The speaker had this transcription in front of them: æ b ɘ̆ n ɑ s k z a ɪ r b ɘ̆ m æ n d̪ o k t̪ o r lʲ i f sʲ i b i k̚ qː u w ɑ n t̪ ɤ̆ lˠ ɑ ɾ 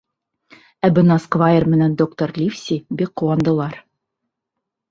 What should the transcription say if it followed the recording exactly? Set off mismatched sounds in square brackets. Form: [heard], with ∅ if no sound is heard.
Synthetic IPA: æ b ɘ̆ n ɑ s k [v] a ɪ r [m] ɘ̆ [n] æ n d̪ o k t̪ o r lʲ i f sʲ i b i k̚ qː u w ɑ n [d̪] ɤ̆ lˠ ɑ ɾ

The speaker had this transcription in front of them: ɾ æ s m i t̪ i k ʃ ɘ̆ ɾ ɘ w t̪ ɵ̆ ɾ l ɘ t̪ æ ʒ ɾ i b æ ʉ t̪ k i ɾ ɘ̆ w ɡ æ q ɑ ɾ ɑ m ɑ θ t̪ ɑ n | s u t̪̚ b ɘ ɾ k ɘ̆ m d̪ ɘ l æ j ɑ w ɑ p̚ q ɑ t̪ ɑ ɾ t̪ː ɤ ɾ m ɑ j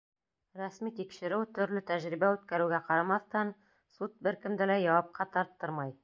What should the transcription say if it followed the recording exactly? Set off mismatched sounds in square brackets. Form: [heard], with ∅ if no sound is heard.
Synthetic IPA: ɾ æ s m i t̪ i k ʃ ɘ̆ ɾ ɘ w t̪ ɵ̆ ɾ l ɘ t̪ æ ʒ ɾ i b æ ʉ t̪ k [æ] ɾ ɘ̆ w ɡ æ q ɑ ɾ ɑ m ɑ θ t̪ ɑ n | s u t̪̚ b ɘ ɾ k ɘ̆ m d̪ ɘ l æ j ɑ w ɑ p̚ q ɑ t̪ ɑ ɾ t̪ː ɤ ɾ m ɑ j

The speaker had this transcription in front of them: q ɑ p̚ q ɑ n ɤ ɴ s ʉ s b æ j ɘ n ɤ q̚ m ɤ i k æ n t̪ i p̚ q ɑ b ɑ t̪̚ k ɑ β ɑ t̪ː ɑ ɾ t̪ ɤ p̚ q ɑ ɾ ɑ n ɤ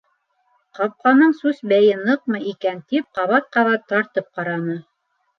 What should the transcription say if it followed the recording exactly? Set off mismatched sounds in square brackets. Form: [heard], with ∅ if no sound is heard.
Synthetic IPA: q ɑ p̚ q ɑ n ɤ ɴ s ʉ s b æ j ɘ n ɤ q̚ m ɤ i k æ n t̪ i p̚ q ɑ [β] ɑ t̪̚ [q] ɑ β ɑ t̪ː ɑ ɾ t̪ ɤ p̚ q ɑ ɾ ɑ n ɤ

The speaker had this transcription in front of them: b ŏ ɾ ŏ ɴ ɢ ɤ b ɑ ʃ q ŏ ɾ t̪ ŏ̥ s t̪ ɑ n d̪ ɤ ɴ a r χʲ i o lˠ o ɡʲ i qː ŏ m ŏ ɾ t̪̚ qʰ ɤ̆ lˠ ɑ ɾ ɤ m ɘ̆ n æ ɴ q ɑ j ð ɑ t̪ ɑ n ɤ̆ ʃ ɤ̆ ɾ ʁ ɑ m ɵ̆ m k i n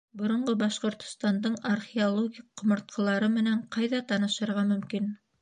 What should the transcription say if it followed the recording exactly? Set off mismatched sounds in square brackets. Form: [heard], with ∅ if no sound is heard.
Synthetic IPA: b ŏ ɾ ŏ ɴ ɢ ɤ b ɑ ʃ q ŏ ɾ t̪ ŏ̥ s t̪ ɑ n d̪ ɤ ɴ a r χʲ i o lˠ o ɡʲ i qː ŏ m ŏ ɾ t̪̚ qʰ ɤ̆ lˠ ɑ ɾ ɤ m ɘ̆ n æ ɴ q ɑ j ð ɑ t̪ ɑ n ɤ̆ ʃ ɤ̆ ɾ ʁ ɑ m ɵ̆ m k i n

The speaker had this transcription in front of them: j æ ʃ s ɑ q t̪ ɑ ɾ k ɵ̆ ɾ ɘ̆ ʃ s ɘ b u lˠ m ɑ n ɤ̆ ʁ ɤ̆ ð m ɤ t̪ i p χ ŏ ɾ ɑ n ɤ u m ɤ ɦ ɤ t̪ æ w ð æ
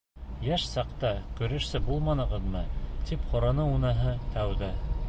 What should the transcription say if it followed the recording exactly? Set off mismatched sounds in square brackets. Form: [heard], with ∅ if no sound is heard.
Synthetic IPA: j æ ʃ s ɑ q t̪ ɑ [∅] k ɵ̆ ɾ ɘ̆ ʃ s ɘ b u lˠ m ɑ n ɤ̆ ʁ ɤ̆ ð m ɤ t̪ i p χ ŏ ɾ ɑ n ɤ u [n] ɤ ɦ ɤ t̪ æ w ð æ

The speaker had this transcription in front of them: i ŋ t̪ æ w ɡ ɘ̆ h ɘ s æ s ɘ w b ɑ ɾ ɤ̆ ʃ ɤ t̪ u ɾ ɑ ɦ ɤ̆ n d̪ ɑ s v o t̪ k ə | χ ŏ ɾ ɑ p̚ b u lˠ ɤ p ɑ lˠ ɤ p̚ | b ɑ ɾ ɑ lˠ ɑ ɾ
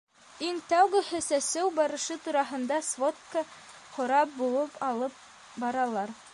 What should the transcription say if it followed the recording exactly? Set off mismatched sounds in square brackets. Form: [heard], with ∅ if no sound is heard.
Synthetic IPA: i ŋ t̪ æ w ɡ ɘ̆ h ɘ s æ s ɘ w b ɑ ɾ ɤ̆ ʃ ɤ t̪ u ɾ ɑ ɦ ɤ̆ n d̪ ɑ s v o t̪ k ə | χ ŏ ɾ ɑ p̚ b u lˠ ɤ p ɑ lˠ ɤ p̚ | b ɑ ɾ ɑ lˠ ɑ ɾ

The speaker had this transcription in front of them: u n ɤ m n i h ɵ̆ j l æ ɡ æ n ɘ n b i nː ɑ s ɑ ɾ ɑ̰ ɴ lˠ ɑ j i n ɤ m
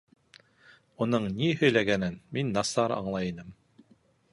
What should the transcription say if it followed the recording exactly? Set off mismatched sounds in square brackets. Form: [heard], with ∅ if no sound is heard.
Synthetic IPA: u n ɤ [ɴ] n i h ɵ̆ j l æ ɡ æ n ɘ n [m] i nː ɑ s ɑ ɾ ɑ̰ ɴ lˠ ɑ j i n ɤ m

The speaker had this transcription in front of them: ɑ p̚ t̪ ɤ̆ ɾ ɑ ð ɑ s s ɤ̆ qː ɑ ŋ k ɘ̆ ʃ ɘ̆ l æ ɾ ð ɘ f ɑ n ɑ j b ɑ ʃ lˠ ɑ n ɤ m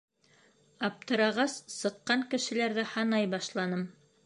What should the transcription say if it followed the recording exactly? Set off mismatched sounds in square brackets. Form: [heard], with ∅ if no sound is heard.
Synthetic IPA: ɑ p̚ t̪ ɤ̆ ɾ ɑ [ʁ] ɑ s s ɤ̆ qː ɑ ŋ k ɘ̆ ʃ ɘ̆ l æ ɾ ð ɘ [h] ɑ n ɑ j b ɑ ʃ lˠ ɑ n ɤ m

